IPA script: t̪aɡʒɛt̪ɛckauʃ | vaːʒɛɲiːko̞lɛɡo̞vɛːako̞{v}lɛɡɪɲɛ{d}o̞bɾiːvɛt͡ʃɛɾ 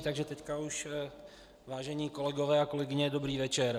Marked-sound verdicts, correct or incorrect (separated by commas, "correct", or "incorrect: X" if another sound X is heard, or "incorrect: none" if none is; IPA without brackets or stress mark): incorrect: none, correct